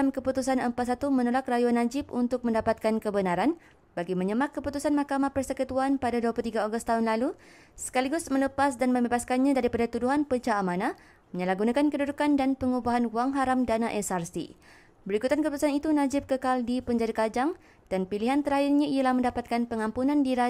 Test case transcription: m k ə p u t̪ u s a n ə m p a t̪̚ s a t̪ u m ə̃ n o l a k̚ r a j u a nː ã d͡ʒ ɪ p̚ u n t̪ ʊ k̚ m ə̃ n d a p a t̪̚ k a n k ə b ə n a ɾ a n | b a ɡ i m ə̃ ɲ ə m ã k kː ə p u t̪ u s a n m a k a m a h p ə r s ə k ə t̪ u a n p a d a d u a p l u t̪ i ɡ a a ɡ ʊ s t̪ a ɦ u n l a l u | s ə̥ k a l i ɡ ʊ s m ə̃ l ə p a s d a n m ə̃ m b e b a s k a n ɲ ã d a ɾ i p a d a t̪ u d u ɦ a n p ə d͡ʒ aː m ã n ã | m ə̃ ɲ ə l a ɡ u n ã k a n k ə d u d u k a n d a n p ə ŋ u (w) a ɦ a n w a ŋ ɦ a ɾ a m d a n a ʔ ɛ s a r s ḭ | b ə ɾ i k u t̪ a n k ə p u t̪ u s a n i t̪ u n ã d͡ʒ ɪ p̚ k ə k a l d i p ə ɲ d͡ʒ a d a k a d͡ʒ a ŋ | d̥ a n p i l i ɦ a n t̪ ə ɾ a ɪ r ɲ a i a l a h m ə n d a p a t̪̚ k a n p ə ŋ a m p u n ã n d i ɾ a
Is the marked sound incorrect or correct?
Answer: incorrect